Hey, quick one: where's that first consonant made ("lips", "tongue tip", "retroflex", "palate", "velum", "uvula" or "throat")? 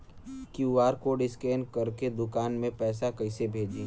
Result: velum